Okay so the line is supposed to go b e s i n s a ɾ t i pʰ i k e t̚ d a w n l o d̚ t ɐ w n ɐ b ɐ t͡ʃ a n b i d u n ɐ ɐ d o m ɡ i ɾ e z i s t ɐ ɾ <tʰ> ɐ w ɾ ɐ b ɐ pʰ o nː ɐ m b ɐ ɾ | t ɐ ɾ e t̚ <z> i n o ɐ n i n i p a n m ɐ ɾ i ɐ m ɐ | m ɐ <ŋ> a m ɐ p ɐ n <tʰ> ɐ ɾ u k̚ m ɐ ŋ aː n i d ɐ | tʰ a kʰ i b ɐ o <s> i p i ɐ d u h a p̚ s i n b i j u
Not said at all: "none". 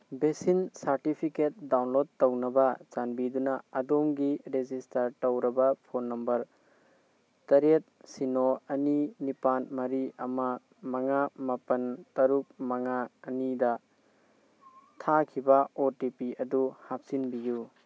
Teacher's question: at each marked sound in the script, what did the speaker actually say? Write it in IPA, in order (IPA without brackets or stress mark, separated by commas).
t, s, ŋ, t, t